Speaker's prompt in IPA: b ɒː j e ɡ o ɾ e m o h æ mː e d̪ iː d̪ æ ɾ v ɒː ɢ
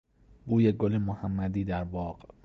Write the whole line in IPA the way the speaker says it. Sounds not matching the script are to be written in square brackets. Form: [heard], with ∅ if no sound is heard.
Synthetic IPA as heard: b [uː] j e ɡ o [l] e m o h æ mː [æ] d̪ iː d̪ æ ɾ [b] ɒː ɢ